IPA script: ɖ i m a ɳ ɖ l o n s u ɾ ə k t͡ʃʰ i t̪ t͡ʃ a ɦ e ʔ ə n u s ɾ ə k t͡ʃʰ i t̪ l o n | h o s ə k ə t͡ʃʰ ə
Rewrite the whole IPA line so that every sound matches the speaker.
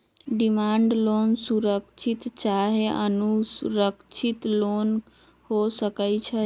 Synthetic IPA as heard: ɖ i m a ɳ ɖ l o n s u ɾ ə k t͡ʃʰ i t̪ t͡ʃ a ɦ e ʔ ə n u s ɾ ə k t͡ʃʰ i t̪ l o n | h o s ə k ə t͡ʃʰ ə